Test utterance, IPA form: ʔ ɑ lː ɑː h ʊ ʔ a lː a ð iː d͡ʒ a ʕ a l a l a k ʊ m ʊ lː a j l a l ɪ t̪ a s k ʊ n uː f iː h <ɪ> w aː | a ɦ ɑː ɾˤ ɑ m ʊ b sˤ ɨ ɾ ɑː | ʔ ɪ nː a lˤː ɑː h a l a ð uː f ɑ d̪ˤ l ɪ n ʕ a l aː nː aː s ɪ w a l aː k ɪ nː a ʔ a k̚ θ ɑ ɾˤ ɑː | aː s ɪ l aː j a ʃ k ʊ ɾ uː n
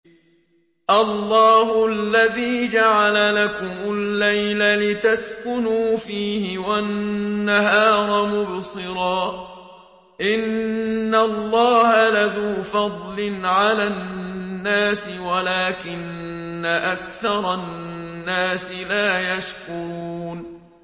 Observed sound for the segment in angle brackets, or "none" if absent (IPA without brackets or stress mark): ɪ